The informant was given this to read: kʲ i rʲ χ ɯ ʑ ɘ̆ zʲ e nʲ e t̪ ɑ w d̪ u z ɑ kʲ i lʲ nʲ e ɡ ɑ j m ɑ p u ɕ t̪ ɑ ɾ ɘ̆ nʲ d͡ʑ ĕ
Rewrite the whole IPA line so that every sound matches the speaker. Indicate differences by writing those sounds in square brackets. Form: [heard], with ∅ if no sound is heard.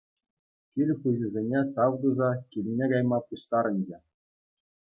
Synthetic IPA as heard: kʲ i [lʲ] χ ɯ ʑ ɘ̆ zʲ e nʲ e t̪ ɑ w d̪ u z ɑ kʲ i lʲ nʲ e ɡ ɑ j m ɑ p u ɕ t̪ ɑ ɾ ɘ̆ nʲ d͡ʑ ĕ

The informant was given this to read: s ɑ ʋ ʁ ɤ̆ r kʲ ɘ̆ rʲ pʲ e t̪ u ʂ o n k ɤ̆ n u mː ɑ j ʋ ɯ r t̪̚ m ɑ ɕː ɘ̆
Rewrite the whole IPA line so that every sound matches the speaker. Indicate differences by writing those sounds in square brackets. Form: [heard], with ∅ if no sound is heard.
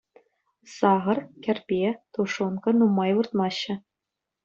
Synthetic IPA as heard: s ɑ [∅] ʁ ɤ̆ r kʲ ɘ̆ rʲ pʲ e t̪ u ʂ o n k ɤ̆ n u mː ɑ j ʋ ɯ r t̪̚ m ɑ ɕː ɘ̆

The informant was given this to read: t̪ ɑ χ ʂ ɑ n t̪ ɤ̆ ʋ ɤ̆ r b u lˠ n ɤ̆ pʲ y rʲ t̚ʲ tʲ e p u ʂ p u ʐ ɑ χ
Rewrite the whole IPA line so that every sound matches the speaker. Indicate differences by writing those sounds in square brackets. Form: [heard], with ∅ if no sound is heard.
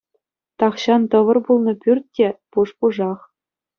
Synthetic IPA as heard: t̪ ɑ χ [ɕ] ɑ n t̪ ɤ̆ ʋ ɤ̆ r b u lˠ n ɤ̆ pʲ y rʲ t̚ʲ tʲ e p u ʂ p u ʐ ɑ χ

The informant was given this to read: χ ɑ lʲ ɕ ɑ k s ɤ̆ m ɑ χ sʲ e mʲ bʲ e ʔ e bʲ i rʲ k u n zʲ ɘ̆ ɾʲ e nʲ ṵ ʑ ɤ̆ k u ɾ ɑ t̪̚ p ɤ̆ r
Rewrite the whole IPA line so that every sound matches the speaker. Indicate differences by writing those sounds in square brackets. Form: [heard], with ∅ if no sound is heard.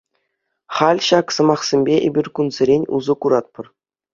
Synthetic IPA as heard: χ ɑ lʲ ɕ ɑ k s ɤ̆ m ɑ χ sʲ e mʲ bʲ e ʔ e bʲ i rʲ k u n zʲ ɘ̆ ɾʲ e nʲ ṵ [z] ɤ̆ k u ɾ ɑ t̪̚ p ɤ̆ r

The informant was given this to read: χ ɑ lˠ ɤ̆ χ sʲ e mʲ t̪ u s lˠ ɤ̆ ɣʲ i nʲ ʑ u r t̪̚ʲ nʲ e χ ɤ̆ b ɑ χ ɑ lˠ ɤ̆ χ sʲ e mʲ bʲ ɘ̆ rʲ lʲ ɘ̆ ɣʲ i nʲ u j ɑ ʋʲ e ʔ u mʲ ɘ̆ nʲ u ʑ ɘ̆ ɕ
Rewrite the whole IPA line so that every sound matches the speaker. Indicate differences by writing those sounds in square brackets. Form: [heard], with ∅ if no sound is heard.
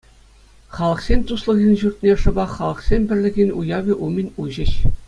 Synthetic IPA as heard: χ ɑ lˠ ɤ̆ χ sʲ e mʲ t̪ u s lˠ ɤ̆ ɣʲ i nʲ ʑ u r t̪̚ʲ nʲ e [ʂ] ɤ̆ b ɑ χ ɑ lˠ ɤ̆ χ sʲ e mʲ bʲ ɘ̆ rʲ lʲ ɘ̆ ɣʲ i nʲ u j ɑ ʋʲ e ʔ u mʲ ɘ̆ nʲ u ʑ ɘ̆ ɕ

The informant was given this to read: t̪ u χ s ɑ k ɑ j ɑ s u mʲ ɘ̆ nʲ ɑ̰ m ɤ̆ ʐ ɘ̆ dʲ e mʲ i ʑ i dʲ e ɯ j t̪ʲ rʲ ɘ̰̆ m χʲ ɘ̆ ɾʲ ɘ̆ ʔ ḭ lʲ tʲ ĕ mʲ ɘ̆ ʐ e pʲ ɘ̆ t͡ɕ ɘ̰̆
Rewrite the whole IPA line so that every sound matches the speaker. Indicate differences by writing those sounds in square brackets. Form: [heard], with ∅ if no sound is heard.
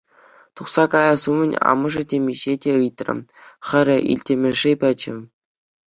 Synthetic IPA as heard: t̪ u χ s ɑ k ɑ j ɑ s u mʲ ɘ̆ nʲ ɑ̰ m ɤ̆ ʐ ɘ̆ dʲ e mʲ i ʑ [e] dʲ e ɯ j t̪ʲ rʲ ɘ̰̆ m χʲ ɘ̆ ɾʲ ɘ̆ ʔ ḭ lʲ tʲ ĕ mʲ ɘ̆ ʐ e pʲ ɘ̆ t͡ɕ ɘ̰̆

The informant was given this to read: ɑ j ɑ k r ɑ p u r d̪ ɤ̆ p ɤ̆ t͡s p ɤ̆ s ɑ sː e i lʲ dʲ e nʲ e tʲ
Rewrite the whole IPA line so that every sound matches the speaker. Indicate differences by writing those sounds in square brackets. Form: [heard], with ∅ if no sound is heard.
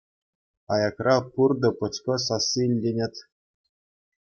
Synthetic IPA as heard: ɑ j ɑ k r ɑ p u r d̪ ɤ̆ p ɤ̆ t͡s [k] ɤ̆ s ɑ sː [i] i lʲ dʲ e nʲ e tʲ

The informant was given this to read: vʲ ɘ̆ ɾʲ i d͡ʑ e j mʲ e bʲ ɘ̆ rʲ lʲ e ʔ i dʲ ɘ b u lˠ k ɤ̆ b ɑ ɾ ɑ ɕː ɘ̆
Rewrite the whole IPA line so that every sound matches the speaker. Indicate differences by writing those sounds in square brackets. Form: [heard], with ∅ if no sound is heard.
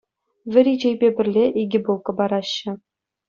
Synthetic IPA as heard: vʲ ɘ̆ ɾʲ i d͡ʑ e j [bʲ] e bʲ ɘ̆ rʲ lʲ e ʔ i [ɡʲ] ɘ b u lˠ k ɤ̆ b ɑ ɾ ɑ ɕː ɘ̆

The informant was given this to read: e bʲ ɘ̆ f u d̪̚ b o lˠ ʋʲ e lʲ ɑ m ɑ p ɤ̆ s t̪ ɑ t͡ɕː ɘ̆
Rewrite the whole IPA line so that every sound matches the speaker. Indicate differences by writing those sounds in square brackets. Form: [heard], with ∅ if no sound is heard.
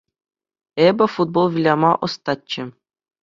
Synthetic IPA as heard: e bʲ ɘ̆ f u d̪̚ b o lˠ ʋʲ [i] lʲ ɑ m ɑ [ʔ] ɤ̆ s t̪ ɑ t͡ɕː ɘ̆

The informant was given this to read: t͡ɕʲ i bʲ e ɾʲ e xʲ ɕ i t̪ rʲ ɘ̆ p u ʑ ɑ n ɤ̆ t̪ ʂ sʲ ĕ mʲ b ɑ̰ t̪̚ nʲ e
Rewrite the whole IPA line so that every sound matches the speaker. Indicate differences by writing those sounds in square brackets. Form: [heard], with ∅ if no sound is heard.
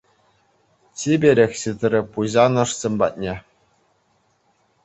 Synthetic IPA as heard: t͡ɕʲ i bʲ e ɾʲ e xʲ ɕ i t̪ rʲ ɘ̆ p u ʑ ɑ n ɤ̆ [∅] ʂ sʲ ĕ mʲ b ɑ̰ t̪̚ nʲ e

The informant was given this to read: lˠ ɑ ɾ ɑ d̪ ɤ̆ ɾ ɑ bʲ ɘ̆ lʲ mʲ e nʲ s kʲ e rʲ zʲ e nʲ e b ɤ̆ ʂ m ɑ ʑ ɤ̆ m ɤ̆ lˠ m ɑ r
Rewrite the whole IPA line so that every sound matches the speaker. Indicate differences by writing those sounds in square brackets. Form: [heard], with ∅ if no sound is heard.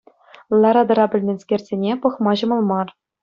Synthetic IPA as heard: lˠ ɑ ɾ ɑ d̪ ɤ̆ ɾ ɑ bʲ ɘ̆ lʲ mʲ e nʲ s kʲ e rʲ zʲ e nʲ e [p] ɤ̆ [χ] m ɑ ʑ ɤ̆ m ɤ̆ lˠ m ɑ r

